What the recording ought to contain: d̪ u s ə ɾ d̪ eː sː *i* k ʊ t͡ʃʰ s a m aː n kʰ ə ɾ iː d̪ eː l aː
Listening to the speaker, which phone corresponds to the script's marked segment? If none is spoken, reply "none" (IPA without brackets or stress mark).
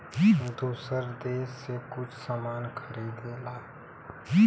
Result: e